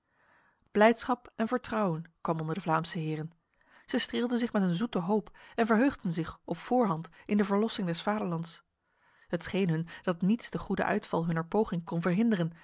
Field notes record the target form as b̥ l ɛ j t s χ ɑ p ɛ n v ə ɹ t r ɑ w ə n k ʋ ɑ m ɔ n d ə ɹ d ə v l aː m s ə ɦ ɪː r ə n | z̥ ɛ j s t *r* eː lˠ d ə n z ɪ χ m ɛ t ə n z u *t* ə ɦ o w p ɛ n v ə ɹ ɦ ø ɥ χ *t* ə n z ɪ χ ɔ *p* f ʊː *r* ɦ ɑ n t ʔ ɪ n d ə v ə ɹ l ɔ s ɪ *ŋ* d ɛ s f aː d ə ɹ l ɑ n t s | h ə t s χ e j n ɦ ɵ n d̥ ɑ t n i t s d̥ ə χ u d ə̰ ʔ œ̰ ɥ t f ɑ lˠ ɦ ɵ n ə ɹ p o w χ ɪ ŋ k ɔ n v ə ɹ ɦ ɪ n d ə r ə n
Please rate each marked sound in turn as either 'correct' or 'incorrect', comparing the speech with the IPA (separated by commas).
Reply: correct, correct, incorrect, correct, incorrect, correct